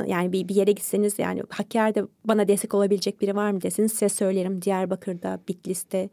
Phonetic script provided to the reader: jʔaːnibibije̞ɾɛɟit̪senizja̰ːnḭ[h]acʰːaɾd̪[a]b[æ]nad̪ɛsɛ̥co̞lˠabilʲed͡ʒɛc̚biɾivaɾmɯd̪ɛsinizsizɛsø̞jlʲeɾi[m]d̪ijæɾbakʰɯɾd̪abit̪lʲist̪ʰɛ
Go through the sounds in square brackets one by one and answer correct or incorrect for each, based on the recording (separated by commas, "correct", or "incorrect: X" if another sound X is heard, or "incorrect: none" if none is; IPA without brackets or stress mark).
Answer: correct, incorrect: ɛ, incorrect: a, correct